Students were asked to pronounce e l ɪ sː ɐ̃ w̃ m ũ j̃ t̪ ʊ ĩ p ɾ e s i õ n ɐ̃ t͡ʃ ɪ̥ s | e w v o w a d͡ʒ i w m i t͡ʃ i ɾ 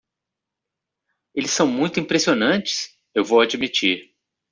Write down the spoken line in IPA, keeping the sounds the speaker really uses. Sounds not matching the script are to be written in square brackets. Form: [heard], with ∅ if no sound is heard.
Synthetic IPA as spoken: e l ɪ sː ɐ̃ w̃ m ũ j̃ t̪ ʊ ĩ p ɾ e s i [o] n ɐ̃ t͡ʃ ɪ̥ s | e w v o w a d͡ʒ i [∅] m i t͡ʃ i ɾ